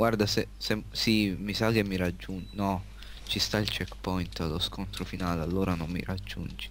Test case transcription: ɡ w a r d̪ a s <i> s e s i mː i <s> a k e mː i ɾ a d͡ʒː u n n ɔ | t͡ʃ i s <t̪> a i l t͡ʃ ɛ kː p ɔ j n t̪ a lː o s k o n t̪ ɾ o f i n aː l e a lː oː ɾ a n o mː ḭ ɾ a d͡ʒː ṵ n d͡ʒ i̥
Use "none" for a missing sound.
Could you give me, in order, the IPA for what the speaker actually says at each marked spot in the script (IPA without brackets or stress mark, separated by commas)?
e, s, t̪